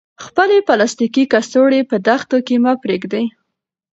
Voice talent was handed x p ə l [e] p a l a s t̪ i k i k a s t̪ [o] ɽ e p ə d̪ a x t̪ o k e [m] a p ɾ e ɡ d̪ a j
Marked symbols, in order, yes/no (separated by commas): yes, yes, yes